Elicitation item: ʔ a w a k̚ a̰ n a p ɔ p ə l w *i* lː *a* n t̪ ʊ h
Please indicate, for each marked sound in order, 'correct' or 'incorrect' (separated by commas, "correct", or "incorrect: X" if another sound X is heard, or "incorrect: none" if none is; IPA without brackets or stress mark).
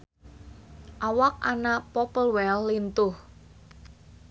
incorrect: ɛ, incorrect: i